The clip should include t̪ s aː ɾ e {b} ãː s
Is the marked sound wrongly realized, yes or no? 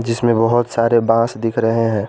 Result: no